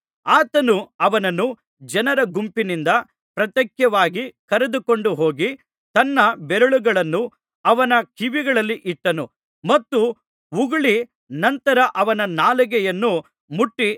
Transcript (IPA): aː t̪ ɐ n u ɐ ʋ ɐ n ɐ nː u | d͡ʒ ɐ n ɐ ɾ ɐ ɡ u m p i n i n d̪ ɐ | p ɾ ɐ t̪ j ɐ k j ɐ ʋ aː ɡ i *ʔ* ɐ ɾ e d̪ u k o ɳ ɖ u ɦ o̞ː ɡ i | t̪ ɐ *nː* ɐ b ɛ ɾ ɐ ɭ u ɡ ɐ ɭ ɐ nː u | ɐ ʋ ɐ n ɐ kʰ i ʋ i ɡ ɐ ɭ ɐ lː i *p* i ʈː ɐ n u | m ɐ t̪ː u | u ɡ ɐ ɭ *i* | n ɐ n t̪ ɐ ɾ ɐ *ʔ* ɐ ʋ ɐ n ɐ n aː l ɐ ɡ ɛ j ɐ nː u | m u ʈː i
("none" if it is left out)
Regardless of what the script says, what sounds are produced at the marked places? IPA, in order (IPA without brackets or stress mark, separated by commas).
k, nː, ʔ, i, ʔ